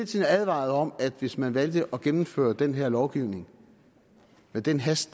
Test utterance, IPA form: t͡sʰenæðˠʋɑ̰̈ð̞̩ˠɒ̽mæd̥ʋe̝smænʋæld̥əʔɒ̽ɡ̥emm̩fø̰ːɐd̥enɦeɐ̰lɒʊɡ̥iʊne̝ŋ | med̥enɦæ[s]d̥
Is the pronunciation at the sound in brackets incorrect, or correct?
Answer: correct